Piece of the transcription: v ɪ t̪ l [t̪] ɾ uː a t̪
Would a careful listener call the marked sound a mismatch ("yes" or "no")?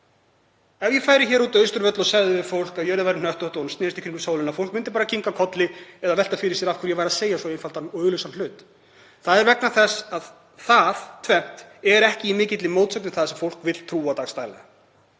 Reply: yes